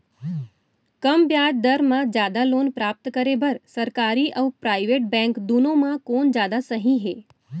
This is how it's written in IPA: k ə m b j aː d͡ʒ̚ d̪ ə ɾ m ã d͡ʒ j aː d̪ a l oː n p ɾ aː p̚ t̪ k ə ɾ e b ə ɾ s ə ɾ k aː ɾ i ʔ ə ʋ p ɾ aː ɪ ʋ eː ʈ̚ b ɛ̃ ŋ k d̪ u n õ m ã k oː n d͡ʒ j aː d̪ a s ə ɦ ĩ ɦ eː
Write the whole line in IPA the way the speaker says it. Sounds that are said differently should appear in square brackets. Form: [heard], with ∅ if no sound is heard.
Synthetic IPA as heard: k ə m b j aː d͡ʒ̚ d̪ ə ɾ m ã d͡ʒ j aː d̪ a l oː n p ɾ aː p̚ t̪ k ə ɾ e b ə ɾ s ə ɾ k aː ɾ i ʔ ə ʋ p ɾ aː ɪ ʋ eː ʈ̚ b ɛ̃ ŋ k d̪ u n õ m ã k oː n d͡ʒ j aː d̪ a s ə ɦ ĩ ɦ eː